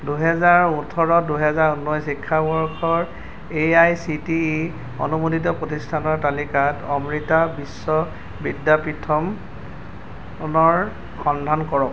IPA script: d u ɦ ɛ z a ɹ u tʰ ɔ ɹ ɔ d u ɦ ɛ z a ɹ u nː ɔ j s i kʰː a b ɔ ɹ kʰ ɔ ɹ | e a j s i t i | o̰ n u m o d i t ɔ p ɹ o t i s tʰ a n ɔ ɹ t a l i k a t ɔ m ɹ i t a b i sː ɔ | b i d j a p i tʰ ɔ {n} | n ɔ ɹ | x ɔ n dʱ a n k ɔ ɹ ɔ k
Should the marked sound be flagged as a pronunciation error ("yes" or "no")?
yes